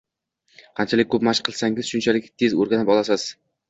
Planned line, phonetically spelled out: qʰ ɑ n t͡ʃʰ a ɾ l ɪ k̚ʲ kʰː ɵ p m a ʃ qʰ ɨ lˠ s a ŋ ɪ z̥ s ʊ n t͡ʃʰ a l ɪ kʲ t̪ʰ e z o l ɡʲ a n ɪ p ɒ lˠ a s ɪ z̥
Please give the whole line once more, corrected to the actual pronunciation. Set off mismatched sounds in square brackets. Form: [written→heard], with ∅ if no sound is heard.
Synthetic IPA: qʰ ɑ n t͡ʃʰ a [ɾ→∅] l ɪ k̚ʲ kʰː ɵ p m a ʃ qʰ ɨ lˠ s a ŋ ɪ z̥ [s→ʃ] ʊ n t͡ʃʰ a l ɪ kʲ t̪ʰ e z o [l→ɾ] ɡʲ a n ɪ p ɒ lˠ a s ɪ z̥